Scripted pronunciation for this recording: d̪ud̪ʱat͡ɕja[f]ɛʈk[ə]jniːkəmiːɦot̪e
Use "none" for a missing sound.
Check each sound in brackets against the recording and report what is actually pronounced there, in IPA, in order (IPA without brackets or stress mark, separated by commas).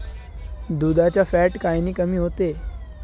f, a